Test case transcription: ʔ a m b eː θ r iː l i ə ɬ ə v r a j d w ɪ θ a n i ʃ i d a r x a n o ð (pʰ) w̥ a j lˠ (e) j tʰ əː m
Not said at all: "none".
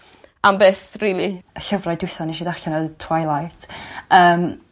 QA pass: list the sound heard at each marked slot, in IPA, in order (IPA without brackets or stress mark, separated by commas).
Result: tʰ, a